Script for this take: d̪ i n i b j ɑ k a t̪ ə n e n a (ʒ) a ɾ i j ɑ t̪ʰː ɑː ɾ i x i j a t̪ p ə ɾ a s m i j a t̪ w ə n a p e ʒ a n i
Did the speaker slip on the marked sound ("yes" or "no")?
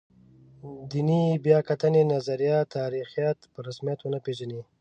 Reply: yes